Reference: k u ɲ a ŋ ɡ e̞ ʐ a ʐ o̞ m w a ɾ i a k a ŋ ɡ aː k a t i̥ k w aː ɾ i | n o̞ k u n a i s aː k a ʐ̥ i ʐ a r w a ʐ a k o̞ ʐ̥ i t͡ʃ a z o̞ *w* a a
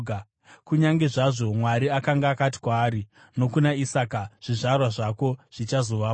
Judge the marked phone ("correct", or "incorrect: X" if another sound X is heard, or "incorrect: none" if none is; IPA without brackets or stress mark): incorrect: ʋ